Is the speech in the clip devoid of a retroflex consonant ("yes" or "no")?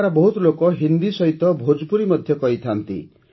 yes